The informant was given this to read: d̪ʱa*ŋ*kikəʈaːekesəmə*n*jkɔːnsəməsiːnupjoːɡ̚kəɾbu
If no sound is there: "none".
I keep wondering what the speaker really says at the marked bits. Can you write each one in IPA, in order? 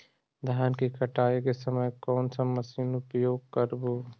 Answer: n, none

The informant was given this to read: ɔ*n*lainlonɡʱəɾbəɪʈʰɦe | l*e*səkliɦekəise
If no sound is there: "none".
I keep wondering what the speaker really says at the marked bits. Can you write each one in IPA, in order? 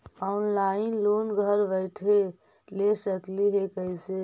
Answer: n, e

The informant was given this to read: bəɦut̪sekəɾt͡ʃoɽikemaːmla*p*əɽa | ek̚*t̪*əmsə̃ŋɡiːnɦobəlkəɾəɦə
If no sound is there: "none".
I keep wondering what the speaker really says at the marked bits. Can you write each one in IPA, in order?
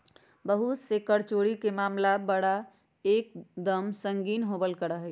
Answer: b, d̪

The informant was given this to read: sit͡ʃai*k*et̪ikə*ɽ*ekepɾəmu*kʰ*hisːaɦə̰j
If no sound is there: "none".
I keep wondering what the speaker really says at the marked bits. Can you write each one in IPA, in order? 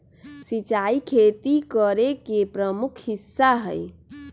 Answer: kʰ, ɾ, kʰ

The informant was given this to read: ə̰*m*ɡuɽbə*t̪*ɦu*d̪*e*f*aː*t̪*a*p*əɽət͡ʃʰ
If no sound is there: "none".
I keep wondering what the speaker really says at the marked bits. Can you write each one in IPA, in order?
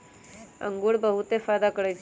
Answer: ŋ, none, t̪, f, d̪, k

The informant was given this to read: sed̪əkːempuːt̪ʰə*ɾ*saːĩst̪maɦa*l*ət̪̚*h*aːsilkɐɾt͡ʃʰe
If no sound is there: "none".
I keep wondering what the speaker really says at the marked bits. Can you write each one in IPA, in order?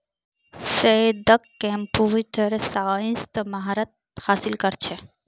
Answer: ɾ, ɾ, h

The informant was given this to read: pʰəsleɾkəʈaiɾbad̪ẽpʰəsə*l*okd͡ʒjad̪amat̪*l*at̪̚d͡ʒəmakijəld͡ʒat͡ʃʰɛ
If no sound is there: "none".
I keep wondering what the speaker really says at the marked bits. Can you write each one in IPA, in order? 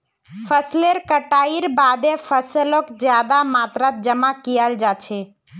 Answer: l, ɾ

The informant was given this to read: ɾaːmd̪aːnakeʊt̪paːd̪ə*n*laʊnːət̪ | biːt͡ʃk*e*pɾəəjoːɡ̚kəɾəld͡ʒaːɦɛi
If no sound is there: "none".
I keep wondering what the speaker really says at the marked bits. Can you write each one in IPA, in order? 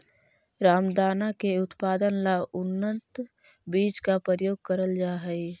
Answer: n, a

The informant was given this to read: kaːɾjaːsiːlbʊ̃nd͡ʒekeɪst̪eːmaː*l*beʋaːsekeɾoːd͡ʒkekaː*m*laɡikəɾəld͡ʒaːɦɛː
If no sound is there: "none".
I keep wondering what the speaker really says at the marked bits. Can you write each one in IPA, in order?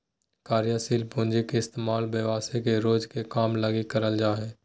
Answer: l, m

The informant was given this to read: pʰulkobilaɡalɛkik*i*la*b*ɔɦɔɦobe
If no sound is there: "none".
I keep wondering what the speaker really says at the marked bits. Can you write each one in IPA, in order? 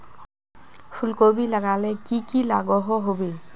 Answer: i, ɡ

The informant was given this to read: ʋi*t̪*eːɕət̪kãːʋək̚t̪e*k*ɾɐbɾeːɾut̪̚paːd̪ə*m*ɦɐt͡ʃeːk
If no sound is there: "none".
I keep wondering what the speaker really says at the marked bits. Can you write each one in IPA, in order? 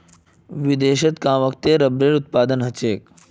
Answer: d̪, none, n

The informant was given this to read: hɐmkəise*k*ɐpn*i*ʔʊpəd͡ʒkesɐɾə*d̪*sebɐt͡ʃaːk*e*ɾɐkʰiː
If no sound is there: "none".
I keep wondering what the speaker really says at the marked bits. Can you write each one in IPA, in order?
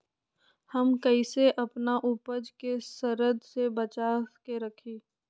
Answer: ʔ, a, d̪, e

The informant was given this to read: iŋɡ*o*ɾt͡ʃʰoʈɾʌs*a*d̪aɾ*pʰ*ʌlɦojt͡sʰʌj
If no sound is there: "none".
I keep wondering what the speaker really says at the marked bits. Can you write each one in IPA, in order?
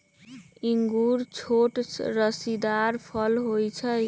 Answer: u, i, pʰ

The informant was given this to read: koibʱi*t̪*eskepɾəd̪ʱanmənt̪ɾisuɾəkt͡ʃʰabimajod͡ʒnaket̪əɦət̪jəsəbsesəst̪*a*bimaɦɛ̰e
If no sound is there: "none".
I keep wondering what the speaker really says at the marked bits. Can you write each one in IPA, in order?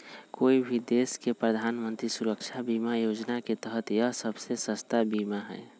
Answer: d̪, a

